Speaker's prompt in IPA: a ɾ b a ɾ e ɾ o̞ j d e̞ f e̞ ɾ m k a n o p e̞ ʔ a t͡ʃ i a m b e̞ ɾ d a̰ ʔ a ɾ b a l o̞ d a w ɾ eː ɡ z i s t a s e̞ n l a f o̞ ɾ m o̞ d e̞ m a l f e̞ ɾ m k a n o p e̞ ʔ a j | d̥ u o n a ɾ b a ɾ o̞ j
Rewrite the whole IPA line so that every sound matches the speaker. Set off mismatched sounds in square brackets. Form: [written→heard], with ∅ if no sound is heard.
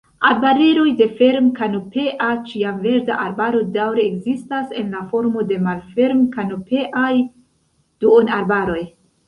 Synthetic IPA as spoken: a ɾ b a ɾ e ɾ o̞ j d e̞ f e̞ ɾ m k a n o p e̞ ʔ a t͡ʃ i a m [b→v] e̞ ɾ d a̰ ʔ a ɾ b a [l→ɾ] o̞ d a w ɾ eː ɡ z i s t a s e̞ n l a f o̞ ɾ m o̞ d e̞ m a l f e̞ ɾ m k a n o p e̞ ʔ a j | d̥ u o n a ɾ b a ɾ o̞ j